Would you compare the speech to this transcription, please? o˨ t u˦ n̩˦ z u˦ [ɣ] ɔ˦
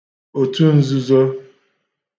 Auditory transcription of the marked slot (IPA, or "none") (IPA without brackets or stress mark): z